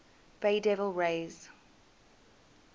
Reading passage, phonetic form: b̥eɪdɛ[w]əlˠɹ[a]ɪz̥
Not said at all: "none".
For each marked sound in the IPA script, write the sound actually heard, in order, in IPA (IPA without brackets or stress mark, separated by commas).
v, e